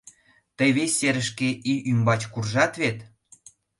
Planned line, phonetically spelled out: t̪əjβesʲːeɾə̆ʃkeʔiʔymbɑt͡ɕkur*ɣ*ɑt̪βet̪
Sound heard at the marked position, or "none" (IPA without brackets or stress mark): ʒ